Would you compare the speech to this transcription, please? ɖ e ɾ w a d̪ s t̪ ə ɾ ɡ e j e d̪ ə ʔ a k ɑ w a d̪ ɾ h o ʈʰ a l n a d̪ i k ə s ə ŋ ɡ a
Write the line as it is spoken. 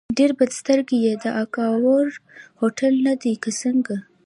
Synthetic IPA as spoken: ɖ e ɾ b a d̪ s t̪ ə ɾ ɡ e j e d̪ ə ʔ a k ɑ w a ɾ h o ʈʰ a l n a d̪ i k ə s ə ŋ ɡ a